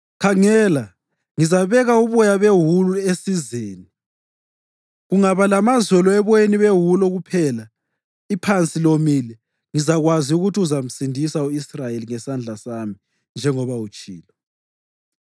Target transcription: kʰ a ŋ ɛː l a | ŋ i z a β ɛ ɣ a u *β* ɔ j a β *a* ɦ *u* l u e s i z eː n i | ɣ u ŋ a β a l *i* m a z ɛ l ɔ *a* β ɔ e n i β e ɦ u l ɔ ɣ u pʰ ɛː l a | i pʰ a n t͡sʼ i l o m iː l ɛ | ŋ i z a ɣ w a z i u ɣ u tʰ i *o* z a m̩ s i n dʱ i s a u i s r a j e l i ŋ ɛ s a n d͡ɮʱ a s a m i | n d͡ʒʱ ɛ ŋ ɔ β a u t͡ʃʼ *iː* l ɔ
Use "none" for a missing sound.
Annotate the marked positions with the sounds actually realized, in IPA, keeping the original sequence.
β, e, u, a, ɛ, u, iː

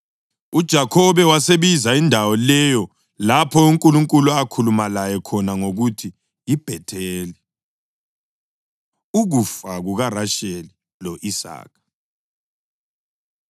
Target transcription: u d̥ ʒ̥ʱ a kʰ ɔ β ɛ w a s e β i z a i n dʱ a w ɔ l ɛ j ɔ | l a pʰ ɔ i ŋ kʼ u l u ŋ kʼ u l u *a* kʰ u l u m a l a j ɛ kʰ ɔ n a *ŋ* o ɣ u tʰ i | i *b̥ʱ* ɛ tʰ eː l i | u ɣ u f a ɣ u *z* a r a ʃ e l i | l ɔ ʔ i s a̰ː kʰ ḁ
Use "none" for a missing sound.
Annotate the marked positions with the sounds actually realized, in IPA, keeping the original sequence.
a, ŋ, b̥ʱ, ɣ

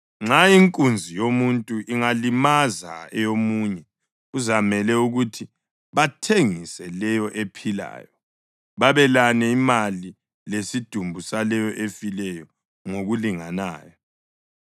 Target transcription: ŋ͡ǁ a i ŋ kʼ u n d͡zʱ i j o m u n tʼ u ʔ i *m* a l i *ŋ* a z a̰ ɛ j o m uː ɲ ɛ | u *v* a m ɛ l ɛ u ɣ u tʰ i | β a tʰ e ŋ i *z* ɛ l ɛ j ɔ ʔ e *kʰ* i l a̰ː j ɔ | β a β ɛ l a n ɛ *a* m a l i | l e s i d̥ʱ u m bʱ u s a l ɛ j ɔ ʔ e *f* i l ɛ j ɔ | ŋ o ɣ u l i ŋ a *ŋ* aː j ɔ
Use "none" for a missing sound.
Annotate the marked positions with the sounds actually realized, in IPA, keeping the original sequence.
ŋ, m, z, s, pʰ, i, f, n

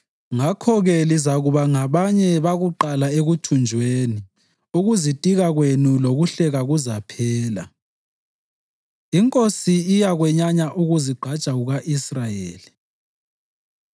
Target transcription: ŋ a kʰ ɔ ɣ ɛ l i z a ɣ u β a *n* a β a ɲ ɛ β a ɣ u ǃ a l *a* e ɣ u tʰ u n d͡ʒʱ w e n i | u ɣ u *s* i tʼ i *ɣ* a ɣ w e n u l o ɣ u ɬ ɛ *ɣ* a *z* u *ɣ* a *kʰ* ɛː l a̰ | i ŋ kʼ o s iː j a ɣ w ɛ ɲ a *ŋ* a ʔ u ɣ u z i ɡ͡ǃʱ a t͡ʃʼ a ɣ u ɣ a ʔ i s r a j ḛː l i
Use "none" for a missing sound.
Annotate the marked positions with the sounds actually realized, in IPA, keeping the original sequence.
ŋ, a, z, ɣ, ɣ, ɣ, z, pʰ, ɲ

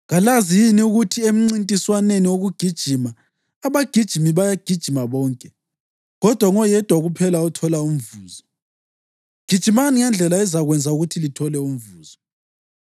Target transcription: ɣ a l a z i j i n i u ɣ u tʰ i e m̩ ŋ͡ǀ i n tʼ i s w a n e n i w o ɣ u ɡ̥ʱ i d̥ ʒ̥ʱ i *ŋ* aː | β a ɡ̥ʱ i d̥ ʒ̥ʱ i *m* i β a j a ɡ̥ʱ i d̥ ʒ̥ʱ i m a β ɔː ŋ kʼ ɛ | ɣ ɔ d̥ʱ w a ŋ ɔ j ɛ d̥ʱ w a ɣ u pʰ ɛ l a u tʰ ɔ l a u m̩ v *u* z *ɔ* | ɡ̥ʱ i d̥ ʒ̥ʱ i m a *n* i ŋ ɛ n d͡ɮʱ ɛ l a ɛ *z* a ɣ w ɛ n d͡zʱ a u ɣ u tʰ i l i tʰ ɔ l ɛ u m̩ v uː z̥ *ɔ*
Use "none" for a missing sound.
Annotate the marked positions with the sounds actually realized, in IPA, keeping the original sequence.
m, m, uː, ɔ, n, z, ɔ

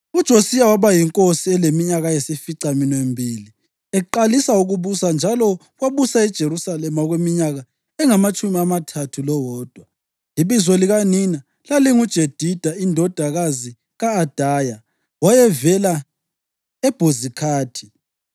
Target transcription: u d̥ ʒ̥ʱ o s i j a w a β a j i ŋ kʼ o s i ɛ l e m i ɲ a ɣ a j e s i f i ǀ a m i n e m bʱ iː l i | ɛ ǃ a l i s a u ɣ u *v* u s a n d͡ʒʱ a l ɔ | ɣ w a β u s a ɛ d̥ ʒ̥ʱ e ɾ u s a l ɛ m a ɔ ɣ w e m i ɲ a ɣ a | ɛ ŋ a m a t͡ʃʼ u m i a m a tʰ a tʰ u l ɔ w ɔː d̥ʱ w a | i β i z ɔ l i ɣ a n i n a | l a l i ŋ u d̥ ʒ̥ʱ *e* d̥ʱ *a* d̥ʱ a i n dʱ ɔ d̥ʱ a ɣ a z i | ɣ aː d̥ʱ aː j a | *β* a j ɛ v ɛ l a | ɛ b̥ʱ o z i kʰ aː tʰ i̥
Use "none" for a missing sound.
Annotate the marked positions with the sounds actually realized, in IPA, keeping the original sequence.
β, e, i, w

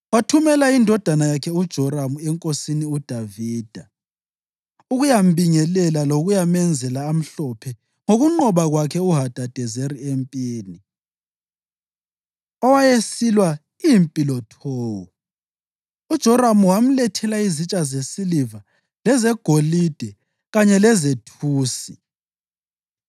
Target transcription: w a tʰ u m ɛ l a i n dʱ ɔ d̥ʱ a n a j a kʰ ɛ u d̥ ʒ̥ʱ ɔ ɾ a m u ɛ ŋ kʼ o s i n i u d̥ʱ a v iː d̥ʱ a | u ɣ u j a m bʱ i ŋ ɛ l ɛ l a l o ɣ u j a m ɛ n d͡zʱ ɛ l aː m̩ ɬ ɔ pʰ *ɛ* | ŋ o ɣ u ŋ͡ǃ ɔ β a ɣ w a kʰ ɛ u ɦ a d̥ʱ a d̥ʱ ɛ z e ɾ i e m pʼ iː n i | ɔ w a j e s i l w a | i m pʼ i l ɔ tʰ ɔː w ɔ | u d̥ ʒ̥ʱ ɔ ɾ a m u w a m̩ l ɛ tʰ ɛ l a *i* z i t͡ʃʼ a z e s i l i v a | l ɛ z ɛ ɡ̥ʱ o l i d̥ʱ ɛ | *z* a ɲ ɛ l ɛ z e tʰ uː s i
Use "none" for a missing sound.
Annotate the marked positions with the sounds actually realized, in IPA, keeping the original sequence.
ɛ, i, ɣ

